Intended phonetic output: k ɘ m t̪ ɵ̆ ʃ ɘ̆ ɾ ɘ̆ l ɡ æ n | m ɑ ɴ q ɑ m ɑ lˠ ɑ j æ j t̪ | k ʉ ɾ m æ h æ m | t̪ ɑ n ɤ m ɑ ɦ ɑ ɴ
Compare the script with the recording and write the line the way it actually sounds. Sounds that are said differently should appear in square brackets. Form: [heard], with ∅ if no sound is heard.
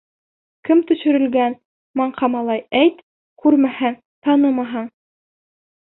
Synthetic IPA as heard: k ɘ m t̪ ɵ̆ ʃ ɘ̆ ɾ ɘ̆ l ɡ æ n | m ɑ ɴ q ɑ m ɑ lˠ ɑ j æ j t̪ | k ʉ ɾ m æ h æ [ŋ] | t̪ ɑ n ɤ m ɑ ɦ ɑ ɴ